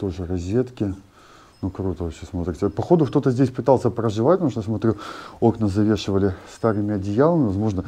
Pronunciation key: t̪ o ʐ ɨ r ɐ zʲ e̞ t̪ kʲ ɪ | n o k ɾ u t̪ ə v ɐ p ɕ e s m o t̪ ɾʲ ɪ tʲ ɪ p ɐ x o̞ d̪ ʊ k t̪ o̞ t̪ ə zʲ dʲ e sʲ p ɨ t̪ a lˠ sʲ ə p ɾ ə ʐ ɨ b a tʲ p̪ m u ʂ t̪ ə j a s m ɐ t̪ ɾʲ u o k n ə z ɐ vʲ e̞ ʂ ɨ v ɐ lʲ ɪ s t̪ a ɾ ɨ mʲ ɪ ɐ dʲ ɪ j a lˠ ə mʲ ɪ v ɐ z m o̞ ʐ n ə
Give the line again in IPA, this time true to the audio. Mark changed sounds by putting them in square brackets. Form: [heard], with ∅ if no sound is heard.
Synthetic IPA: t̪ o ʐ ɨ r ɐ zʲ e̞ t̪ kʲ ɪ | n [u] k ɾ u t̪ ə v ɐ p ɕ e s m o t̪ ɾʲ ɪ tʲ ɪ p ɐ x o̞ d̪ ʊ k t̪ o̞ t̪ ə zʲ dʲ e sʲ p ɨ t̪ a lˠ sʲ ə p ɾ ə ʐ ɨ [v] a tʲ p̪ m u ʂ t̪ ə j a s m ɐ t̪ ɾʲ u o k n ə z ɐ vʲ e̞ ʂ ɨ v [ə] lʲ ɪ s t̪ a ɾ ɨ mʲ ɪ ɐ dʲ ɪ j a lˠ ə mʲ ɪ v ɐ z m o̞ ʐ n ə